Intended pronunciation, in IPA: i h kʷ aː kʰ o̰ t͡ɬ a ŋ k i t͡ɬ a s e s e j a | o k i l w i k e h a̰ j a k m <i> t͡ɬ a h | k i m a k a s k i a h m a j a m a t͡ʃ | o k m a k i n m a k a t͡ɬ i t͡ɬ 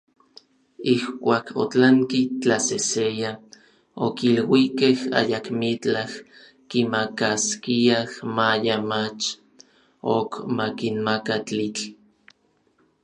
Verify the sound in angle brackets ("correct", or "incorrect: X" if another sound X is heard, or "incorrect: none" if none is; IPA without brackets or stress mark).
correct